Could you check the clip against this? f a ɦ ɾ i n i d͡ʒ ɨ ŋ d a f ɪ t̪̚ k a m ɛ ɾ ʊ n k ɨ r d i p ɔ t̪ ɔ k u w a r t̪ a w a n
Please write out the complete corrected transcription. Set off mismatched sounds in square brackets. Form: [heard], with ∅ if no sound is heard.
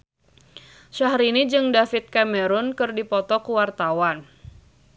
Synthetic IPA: [ʃ] a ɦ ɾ i n i d͡ʒ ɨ ŋ d a f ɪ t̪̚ k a m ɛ ɾ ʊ n k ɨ r d i p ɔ t̪ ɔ k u w a r t̪ a w a n